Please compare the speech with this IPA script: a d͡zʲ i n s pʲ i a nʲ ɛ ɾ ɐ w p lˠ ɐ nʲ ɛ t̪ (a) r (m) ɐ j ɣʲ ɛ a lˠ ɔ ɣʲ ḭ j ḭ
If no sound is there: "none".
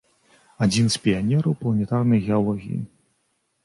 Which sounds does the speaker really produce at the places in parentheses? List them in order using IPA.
a, n

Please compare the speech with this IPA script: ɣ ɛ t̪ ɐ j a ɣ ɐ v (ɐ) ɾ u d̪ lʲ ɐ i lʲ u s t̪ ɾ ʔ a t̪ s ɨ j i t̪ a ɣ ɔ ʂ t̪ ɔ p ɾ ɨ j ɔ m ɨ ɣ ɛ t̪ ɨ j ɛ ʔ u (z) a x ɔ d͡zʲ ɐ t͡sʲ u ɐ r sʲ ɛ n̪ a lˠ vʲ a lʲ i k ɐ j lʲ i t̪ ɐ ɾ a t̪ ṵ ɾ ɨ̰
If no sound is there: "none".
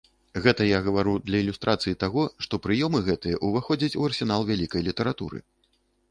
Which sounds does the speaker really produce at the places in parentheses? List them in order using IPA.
a, v

